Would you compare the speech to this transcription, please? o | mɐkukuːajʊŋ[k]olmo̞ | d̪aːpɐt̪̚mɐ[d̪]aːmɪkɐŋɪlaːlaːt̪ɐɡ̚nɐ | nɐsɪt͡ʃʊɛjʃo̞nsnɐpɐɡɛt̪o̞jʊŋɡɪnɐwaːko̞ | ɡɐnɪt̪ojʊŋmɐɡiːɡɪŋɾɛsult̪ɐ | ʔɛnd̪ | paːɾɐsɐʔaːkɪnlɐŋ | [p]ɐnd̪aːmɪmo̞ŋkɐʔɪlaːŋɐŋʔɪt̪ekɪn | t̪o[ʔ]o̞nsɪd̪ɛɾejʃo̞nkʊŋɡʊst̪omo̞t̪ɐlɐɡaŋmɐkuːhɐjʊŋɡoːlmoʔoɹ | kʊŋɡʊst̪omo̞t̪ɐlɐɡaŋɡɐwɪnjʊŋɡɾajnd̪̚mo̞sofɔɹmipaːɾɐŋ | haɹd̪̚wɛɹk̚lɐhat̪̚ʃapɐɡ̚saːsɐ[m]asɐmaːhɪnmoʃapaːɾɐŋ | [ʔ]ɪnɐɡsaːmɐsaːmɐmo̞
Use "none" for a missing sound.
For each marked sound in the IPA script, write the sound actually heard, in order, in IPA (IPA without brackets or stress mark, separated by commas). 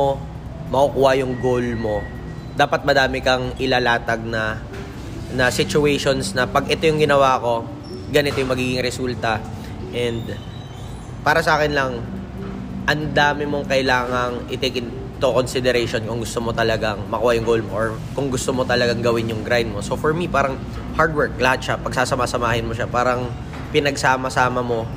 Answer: ɡ, d̪, ʔ, k, m, p